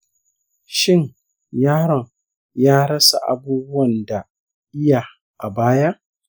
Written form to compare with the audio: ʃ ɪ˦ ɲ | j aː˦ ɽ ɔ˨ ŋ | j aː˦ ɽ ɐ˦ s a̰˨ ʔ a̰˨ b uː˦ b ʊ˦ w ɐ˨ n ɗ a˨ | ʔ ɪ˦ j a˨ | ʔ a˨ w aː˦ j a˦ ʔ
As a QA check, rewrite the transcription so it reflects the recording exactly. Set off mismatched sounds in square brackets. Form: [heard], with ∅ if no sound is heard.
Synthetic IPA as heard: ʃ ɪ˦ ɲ | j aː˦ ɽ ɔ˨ ŋ | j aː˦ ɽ ɐ˦ s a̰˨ ʔ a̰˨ b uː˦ b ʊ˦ w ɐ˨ n [d] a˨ | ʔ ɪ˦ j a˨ | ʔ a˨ [b] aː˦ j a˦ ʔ